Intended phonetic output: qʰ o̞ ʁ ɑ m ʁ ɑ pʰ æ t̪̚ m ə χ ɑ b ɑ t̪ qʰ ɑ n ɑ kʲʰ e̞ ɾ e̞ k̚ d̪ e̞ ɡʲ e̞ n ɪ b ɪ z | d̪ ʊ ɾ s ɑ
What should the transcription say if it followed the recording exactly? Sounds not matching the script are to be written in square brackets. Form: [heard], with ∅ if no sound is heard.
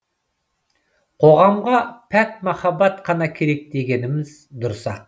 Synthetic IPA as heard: qʰ o̞ ʁ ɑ m ʁ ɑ pʰ æ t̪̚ m [ɑ] χ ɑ b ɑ t̪ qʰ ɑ n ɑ kʲʰ e̞ ɾ e̞ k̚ d̪ e̞ ɡʲ e̞ n ɪ [m] ɪ z | d̪ ʊ ɾ s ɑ